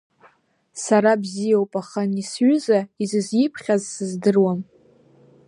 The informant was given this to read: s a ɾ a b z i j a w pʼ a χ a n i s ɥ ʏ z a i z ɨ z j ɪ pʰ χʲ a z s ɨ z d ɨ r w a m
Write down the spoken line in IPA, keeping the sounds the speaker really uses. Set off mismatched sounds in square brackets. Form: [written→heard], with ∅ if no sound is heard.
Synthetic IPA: s a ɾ a b z i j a w pʼ a χ a n i s ɥ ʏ z a i z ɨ z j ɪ pʰ χʲ a z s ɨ z d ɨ r w a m